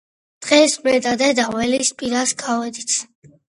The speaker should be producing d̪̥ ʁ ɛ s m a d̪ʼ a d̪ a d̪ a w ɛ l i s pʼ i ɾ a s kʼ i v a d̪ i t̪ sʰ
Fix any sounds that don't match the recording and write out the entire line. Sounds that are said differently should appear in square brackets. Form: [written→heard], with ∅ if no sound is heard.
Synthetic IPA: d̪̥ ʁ ɛ s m [a→ɛ] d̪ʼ a d̪ [a→ɛ] d̪ a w ɛ l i s pʼ i ɾ a s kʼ [i→a] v [a→ɛ] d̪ i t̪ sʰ